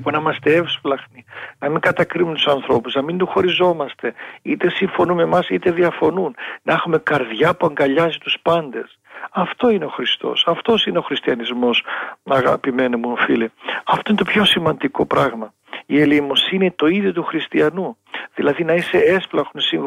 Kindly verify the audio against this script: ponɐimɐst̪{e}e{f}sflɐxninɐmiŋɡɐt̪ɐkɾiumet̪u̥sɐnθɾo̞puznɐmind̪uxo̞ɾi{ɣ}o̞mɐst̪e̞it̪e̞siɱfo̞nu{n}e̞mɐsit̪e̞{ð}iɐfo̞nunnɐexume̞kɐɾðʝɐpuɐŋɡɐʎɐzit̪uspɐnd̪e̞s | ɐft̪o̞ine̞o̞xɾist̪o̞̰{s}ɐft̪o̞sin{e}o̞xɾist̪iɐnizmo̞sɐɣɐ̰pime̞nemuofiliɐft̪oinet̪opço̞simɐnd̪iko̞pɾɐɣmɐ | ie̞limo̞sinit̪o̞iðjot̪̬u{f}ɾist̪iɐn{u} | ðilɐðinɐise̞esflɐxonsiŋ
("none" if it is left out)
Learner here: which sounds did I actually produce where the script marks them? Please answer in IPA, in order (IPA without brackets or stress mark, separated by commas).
e, f, z, m, ð, s, e, x, u